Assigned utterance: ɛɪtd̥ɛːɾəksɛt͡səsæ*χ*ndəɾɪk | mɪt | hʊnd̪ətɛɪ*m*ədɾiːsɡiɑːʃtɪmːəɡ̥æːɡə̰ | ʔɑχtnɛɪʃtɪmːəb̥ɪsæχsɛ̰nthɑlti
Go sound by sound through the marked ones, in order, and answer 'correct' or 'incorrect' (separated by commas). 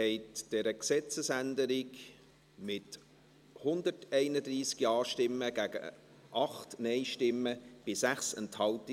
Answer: incorrect, incorrect